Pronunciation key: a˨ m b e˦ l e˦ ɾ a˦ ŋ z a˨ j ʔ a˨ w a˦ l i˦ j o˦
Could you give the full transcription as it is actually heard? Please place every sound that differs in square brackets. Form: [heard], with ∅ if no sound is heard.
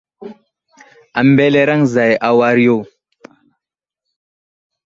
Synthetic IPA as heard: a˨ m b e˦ l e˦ ɾ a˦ ŋ z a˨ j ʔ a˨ w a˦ [ɾ] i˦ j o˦